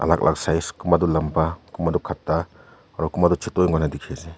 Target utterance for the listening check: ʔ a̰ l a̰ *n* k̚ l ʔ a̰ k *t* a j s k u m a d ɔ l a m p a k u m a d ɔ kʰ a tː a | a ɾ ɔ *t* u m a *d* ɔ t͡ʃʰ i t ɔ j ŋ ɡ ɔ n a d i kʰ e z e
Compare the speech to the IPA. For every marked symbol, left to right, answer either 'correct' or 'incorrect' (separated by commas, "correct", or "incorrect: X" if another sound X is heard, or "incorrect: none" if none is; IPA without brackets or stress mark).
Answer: incorrect: none, incorrect: s, incorrect: k, correct